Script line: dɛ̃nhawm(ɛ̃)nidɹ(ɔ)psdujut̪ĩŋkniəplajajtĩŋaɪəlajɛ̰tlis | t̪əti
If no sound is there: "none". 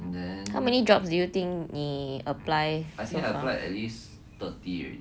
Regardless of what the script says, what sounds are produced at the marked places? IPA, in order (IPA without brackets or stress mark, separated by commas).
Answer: ɛ, ɔ